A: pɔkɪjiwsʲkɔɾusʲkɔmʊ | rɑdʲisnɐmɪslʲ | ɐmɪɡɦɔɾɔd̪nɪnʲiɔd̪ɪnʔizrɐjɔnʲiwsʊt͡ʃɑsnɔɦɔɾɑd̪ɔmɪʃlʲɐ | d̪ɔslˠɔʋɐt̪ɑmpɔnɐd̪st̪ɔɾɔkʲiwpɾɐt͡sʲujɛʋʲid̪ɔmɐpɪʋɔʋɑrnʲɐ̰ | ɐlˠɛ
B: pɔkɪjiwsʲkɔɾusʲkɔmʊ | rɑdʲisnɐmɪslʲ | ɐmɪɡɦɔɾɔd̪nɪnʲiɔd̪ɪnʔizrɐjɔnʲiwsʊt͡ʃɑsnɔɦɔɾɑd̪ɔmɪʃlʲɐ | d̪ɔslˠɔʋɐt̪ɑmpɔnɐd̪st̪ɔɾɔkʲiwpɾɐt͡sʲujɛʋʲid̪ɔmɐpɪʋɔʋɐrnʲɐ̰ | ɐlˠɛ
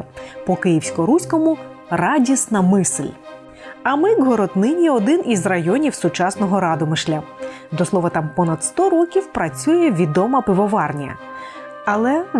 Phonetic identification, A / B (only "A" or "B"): A